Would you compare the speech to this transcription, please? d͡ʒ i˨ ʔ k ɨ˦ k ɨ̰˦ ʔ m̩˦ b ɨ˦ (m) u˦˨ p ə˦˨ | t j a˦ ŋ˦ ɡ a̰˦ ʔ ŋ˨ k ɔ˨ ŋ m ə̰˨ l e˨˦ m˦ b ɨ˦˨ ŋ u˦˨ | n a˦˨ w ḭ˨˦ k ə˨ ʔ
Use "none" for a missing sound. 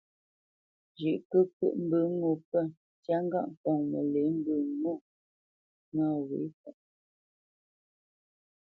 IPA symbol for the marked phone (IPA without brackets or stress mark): ŋ